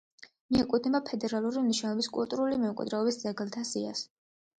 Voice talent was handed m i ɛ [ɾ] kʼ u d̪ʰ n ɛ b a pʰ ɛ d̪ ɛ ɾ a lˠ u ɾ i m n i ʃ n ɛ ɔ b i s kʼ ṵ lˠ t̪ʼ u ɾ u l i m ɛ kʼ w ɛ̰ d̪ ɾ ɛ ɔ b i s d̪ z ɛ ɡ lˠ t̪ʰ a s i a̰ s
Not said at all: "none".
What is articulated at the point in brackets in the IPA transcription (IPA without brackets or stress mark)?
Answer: none